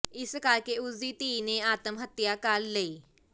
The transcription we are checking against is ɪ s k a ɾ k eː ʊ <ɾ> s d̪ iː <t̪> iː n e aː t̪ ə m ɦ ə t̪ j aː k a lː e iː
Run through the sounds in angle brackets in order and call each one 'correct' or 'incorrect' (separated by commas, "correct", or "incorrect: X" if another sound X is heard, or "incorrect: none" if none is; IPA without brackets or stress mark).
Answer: incorrect: none, correct